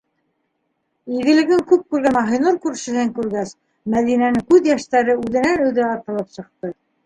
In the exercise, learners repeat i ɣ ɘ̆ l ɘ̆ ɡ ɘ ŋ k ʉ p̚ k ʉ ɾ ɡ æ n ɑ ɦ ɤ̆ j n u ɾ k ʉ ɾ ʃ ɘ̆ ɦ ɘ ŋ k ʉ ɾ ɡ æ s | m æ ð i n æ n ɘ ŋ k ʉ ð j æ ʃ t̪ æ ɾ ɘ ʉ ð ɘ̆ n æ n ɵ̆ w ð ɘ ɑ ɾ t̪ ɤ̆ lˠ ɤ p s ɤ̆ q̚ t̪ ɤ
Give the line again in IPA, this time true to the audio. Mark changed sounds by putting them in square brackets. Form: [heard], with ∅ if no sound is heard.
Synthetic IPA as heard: i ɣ ɘ̆ l ɘ̆ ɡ ɘ ŋ k ʉ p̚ k ʉ ɾ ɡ æ n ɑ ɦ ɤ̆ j n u ɾ k ʉ ɾ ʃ ɘ̆ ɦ ɘ ŋ k ʉ ɾ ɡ æ s | m æ ð i n æ n ɘ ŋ k ʉ ð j æ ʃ t̪ æ ɾ ɘ ʉ ð ɘ̆ n æ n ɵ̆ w ð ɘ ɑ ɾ t̪ ɤ̆ lˠ ɤ p s ɤ̆ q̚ t̪ ɤ